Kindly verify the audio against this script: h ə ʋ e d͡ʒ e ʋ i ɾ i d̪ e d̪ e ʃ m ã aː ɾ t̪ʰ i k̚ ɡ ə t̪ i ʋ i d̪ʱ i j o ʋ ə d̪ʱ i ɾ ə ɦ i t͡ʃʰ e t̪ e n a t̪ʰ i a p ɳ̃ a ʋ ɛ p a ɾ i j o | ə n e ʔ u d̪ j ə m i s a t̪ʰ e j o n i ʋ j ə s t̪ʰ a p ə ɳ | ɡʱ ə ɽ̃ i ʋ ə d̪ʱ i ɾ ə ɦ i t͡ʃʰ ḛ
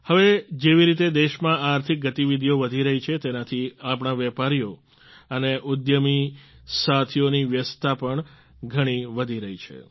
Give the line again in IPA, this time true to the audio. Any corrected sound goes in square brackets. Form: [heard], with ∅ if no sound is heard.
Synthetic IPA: h ə ʋ e d͡ʒ e ʋ i ɾ i [t̪] e d̪ e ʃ m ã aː ɾ t̪ʰ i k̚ ɡ ə t̪ i ʋ i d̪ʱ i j o ʋ ə d̪ʱ i ɾ ə ɦ i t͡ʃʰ e t̪ e n a t̪ʰ i a p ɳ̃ a ʋ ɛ p a ɾ i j o | ə n e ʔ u d̪ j ə m i s a t̪ʰ [i] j o n i ʋ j ə s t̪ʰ a p ə ɳ | ɡʱ ə ɽ̃ i ʋ ə d̪ʱ i ɾ ə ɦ i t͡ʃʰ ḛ